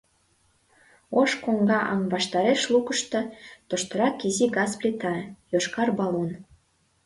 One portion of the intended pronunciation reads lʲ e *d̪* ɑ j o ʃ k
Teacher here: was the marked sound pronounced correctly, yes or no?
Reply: no